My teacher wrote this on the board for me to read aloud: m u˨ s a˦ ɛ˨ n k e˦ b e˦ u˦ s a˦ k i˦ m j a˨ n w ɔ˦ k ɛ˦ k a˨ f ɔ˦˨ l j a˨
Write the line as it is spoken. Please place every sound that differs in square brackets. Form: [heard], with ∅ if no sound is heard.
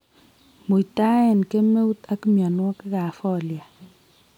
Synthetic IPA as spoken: m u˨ [t] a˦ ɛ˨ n k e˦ [m] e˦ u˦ [t] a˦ k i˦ m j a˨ n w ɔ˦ k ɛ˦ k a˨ f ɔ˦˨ l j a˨